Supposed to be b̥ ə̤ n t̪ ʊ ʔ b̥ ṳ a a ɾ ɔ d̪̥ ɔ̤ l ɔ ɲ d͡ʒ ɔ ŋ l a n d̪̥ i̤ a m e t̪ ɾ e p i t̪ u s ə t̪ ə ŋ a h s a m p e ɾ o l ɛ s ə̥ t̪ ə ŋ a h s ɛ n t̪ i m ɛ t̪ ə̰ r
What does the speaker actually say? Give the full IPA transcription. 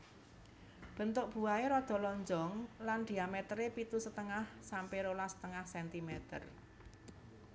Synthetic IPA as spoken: b̥ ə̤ n t̪ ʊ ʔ b̥ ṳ a e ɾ ɔ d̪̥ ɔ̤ l ɔ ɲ d͡ʒ ɔ ŋ l a n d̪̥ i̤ a m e t̪ ɾ e p i t̪ u s ə t̪ ə ŋ a h s a m p e ɾ o l a s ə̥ t̪ ə ŋ a h s ɛ n t̪ i m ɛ t̪ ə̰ r